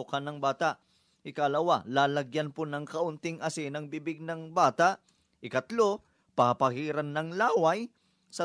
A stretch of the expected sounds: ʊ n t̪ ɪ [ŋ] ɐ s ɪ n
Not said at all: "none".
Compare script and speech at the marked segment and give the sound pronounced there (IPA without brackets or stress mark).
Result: ŋ